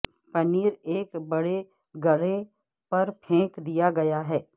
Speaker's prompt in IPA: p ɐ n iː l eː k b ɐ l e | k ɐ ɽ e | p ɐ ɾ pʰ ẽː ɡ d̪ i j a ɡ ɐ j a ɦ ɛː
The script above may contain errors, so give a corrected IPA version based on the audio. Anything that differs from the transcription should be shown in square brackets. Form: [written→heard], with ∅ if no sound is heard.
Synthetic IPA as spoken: p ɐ n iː [l→ɾ] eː k b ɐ [l→ɽ] e | [k→ɡ] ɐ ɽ e | p ɐ ɾ pʰ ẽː [ɡ→k] d̪ i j a ɡ ɐ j a ɦ ɛː